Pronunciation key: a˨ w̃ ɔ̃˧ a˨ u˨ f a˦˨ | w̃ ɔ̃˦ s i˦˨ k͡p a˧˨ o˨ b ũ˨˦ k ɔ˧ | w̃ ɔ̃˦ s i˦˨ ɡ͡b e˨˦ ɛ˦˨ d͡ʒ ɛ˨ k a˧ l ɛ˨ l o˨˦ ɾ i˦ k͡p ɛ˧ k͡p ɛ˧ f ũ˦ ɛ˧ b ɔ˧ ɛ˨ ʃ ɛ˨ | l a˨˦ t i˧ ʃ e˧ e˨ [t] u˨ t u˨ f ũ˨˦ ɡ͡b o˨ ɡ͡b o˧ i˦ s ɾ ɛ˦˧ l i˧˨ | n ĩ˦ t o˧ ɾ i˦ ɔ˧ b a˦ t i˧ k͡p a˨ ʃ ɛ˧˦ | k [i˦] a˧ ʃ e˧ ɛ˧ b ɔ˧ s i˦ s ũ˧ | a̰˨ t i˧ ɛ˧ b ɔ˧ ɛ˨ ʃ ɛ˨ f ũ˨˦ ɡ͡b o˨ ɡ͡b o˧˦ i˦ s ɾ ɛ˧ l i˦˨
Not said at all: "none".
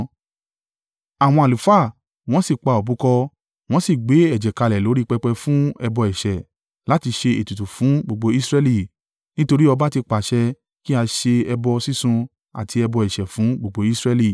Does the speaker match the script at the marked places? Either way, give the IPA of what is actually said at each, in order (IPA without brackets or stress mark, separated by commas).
t, i˦